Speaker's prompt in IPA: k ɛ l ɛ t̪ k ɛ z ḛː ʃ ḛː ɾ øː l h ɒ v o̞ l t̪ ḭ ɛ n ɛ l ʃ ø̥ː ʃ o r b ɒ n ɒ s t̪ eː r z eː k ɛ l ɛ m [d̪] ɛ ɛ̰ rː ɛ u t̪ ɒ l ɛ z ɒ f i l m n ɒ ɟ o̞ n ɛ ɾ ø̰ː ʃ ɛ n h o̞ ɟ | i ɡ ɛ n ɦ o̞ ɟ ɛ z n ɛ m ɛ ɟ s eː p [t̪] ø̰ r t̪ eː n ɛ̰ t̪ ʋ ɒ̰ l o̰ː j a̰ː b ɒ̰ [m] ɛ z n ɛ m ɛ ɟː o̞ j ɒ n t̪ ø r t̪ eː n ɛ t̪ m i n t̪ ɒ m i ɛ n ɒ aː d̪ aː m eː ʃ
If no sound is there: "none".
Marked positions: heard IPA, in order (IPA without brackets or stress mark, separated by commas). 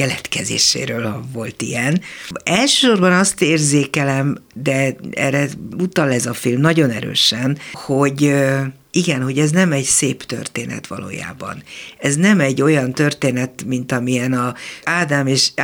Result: d̪, t̪, n